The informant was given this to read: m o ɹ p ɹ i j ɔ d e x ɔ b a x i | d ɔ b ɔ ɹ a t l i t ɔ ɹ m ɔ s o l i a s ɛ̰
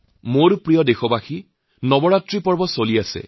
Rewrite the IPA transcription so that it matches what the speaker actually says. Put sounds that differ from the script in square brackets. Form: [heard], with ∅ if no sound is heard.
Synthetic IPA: m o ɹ p ɹ i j ɔ d e x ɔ b a x i | [n] ɔ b ɔ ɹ a t [ɹ] i [p] ɔ ɹ [b] ɔ s o l i a s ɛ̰